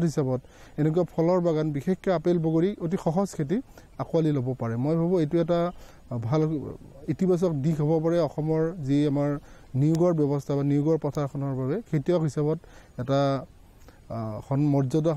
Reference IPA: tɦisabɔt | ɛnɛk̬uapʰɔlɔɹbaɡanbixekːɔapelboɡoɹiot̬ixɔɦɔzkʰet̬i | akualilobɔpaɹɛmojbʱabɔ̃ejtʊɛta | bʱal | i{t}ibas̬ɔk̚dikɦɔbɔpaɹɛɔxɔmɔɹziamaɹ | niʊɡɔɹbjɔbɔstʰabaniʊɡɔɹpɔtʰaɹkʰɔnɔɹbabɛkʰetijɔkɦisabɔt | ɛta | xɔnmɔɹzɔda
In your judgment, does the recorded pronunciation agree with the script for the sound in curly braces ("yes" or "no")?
yes